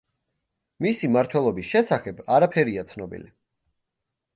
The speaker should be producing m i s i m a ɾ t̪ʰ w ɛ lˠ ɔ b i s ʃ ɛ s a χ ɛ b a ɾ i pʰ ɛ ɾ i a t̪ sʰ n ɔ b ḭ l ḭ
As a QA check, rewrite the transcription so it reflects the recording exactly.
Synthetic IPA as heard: m i s i m a ɾ t̪ʰ w ɛ lˠ ɔ b i s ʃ ɛ s a χ ɛ b a ɾ a pʰ ɛ ɾ i a t̪ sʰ n ɔ b ḭ l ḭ